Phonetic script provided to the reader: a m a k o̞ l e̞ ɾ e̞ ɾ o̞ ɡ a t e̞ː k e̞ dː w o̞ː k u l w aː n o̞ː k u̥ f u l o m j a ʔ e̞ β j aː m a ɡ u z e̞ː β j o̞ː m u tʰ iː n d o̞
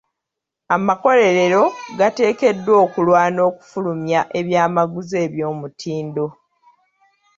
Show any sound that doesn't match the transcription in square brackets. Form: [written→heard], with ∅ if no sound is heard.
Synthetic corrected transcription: a m a k o̞ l e̞ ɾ e̞ ɾ o̞ ɡ a t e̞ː k e̞ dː w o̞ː k u l w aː n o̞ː k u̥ f u l [o→u] m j a ʔ e̞ β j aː m a ɡ u z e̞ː β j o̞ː m u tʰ iː n d o̞